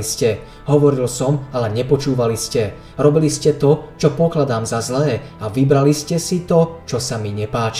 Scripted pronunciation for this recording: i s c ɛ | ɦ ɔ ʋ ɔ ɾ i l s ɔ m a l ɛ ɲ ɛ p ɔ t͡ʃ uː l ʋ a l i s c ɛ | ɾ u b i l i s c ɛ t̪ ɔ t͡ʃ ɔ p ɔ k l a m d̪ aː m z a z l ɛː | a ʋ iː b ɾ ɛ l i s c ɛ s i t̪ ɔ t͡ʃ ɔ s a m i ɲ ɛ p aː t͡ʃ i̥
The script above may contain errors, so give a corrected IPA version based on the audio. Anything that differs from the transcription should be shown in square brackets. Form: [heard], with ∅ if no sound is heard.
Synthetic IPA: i s c ɛ | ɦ ɔ ʋ ɔ ɾ i l s ɔ m a l ɛ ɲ ɛ p ɔ t͡ʃ uː [∅] ʋ a l i s c ɛ | ɾ [ɔ] b i l i s c ɛ t̪ ɔ t͡ʃ ɔ p ɔ k l a [∅] d̪ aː m z a z l ɛː | a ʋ [i] b ɾ [a] l i s c ɛ s i t̪ ɔ t͡ʃ ɔ s a m i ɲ ɛ p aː t͡ʃ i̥